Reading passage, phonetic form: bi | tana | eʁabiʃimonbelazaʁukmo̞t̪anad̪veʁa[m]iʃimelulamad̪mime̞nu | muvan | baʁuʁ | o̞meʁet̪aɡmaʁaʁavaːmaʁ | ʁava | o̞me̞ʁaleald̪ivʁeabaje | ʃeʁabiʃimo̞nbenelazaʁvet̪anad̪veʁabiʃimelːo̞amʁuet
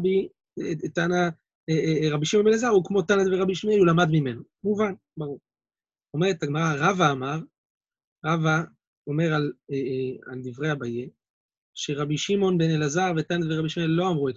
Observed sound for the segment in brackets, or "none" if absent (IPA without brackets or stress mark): b